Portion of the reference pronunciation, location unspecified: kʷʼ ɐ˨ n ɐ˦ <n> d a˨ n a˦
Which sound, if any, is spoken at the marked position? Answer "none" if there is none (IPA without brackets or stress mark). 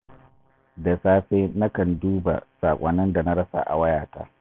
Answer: n